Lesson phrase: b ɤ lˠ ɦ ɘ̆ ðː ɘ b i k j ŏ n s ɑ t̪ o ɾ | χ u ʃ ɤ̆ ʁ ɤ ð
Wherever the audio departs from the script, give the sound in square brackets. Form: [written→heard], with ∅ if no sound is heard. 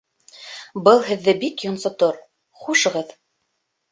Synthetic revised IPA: b ɤ lˠ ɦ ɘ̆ ðː ɘ b i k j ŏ n s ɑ t̪ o ɾ | χ u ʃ ɤ̆ ʁ ɤ ð